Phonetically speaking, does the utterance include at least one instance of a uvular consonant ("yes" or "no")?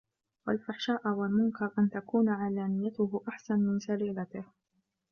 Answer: no